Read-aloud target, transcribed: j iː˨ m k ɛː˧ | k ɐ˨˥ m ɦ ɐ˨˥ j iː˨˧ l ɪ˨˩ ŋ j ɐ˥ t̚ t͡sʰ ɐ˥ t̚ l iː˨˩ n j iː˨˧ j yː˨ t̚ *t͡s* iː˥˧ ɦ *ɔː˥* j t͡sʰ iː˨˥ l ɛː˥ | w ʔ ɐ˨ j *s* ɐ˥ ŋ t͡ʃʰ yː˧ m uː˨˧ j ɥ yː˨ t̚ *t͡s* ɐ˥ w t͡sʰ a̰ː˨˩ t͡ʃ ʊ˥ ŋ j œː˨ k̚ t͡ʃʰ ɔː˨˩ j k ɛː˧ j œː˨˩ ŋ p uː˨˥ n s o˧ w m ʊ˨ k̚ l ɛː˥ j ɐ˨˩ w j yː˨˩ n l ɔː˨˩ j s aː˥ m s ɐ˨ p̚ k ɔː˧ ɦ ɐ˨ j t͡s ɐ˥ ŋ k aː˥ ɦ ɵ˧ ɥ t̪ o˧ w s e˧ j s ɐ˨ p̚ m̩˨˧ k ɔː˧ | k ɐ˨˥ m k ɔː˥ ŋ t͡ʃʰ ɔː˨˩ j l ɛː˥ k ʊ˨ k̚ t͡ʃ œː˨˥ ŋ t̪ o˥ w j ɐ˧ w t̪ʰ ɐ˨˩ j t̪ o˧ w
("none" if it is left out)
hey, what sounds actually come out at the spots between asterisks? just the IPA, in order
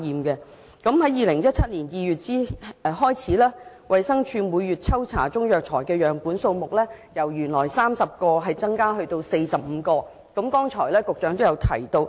t͡s, ɔː˥, s, t͡sʰ

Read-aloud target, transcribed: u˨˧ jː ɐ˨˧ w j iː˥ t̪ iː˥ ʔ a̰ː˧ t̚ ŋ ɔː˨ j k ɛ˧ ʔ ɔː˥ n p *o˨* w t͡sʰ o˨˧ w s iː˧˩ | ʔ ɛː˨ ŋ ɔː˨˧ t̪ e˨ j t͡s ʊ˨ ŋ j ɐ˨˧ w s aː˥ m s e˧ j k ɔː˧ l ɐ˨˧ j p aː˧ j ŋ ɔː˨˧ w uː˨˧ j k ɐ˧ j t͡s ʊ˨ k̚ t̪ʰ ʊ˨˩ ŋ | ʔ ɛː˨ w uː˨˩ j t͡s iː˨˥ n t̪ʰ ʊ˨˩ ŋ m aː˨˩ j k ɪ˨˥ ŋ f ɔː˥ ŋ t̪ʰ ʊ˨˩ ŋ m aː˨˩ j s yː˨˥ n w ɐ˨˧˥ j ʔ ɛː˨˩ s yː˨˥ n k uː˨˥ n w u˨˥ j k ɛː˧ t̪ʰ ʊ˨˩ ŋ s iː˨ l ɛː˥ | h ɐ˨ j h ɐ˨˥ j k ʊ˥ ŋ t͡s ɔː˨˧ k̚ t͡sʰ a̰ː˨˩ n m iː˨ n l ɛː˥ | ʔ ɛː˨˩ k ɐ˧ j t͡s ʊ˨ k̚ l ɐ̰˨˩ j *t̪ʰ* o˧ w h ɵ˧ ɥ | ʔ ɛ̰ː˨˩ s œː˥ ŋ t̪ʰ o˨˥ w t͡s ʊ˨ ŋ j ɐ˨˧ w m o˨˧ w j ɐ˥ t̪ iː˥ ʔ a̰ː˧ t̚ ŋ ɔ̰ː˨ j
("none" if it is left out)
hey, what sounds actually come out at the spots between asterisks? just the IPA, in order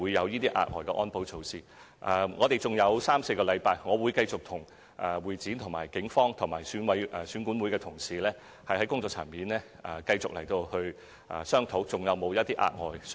o˨˥, t̪

